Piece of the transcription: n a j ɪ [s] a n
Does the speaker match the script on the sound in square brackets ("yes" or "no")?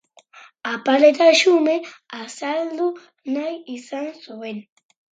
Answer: yes